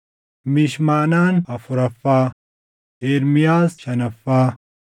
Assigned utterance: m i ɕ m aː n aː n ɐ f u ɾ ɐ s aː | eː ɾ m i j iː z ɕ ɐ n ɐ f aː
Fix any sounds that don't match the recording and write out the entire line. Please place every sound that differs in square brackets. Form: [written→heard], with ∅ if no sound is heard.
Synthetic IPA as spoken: m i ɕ m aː n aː n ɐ f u ɾ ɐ [s→f] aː | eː ɾ m i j [iː→aː] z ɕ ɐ n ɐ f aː